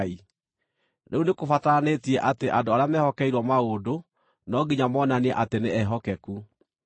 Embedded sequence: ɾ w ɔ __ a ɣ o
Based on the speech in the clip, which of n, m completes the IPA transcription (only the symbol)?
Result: m